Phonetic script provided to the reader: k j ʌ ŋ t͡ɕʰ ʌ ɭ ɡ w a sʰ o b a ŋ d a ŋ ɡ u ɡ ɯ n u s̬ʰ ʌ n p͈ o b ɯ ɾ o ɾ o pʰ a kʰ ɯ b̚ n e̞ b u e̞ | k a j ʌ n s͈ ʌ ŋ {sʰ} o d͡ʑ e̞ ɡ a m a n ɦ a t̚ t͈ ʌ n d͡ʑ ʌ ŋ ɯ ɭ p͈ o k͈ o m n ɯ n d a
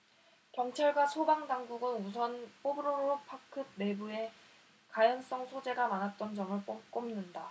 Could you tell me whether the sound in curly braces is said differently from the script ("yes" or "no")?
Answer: no